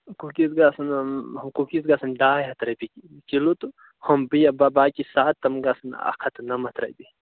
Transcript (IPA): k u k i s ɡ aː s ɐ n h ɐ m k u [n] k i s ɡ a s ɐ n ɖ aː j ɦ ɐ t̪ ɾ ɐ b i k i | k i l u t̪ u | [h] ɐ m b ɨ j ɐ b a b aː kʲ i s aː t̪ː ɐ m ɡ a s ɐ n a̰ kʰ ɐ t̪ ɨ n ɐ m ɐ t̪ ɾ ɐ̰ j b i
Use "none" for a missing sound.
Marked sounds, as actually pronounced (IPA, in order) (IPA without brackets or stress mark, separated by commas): none, h